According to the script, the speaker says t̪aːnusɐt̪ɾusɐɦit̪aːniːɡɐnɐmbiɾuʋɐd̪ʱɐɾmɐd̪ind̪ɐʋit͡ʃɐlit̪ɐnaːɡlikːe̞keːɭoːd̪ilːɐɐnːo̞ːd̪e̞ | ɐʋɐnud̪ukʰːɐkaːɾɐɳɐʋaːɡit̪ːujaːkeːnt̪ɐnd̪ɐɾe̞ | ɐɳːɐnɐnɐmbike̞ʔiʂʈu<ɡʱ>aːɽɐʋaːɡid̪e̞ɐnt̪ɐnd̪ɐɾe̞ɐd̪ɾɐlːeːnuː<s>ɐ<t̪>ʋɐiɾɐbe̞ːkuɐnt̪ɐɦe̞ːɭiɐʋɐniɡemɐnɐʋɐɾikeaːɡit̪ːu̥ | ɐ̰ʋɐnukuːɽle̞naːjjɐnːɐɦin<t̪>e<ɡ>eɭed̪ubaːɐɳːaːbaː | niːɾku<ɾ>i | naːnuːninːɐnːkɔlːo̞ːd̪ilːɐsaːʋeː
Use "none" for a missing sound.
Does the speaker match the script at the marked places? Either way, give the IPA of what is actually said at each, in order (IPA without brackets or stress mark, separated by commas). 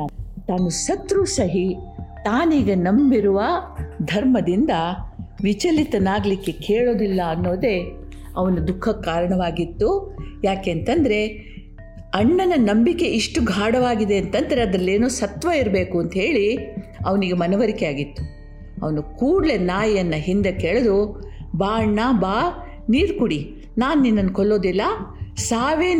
ɡʱ, s, t̪, d̪, k, ɽ